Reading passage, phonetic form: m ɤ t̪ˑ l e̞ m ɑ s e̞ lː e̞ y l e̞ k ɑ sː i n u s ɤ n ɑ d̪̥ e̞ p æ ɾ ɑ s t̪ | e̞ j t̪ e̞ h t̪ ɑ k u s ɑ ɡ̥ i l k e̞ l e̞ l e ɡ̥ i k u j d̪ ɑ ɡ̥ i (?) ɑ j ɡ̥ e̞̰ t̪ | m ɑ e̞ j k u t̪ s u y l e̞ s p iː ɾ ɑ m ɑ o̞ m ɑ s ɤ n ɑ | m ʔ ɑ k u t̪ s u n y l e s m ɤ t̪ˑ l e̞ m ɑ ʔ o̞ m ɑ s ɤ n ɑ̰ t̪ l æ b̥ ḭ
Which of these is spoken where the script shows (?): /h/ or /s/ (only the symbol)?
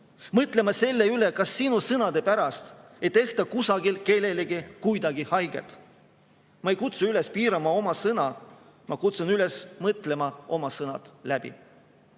h